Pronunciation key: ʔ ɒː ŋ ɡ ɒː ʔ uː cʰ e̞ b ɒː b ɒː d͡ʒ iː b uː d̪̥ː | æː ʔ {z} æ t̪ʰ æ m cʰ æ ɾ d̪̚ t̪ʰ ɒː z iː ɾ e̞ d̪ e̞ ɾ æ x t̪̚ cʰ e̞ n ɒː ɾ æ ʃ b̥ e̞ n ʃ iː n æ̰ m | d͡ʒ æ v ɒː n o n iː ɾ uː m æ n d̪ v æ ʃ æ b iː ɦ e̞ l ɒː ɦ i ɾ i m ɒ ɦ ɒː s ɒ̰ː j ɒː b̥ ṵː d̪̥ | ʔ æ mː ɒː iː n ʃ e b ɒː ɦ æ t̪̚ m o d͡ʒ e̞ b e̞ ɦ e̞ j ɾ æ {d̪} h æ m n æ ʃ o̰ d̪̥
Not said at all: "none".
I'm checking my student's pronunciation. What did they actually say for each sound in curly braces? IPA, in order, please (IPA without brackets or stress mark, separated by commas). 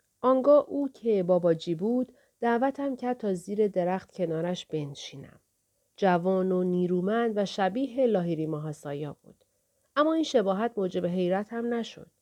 v, t̪